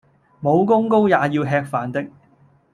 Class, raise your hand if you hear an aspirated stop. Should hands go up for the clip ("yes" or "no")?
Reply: no